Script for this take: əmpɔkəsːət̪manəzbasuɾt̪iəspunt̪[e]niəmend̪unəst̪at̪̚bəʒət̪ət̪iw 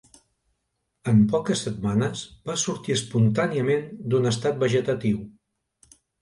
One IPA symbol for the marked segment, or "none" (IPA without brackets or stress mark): a